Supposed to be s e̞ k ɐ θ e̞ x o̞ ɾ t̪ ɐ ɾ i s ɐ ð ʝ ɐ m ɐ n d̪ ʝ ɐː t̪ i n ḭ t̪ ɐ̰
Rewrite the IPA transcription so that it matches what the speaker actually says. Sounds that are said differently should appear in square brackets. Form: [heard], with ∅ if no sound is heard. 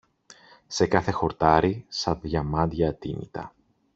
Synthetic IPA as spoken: s e̞ k ɐ θ e̞ x o̞ ɾ t̪ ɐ ɾ i s ɐ ð ʝ ɐ m ɐ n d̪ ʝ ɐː t̪ i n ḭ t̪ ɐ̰